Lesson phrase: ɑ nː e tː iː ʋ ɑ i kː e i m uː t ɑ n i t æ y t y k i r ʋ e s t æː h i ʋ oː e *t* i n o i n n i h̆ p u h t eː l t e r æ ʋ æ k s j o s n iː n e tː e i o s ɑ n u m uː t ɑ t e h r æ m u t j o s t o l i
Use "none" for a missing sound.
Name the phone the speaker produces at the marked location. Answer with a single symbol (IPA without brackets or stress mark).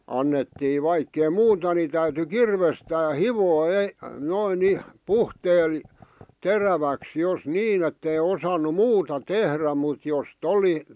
none